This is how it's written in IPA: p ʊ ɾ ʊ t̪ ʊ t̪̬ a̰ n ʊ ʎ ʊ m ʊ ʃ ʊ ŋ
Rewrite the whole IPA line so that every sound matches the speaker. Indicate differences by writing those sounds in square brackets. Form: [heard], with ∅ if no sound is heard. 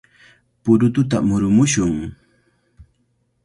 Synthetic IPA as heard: p ʊ ɾ ʊ t̪ ʊ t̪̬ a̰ [m] ʊ [ɾ] ʊ m ʊ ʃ ʊ ŋ

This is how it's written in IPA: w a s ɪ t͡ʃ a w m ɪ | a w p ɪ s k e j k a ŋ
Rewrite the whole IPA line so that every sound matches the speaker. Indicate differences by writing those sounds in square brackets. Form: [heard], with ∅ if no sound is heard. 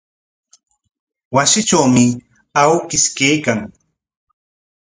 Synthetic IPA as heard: w a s ɪ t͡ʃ a w m ɪ | a w [k] ɪ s k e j k a ŋ

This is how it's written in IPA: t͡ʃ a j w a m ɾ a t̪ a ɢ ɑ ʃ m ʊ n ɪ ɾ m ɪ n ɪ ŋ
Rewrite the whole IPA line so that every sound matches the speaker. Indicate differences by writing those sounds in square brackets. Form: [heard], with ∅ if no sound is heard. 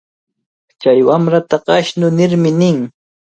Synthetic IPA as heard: t͡ʃ a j w a m ɾ a t̪ a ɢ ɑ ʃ [n] ʊ n ɪ ɾ m ɪ n ɪ ŋ

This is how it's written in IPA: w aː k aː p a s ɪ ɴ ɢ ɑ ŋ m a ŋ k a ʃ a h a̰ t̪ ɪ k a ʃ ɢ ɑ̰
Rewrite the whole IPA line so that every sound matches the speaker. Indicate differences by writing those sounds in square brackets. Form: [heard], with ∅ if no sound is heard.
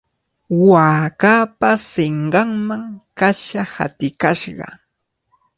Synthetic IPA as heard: w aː k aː p a s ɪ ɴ ɢ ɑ ŋ m a ŋ k a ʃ a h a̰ t̪ ɪ k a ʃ ɢ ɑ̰

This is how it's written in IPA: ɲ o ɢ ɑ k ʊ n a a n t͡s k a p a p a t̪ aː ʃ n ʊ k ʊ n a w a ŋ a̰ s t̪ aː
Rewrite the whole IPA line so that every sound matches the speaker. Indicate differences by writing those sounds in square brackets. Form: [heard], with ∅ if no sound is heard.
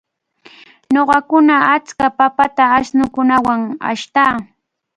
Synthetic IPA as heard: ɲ o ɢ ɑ k ʊ n a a [∅] t͡s k a p a p a t̪ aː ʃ n ʊ k ʊ n a w a ŋ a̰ [ʃ] t̪ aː

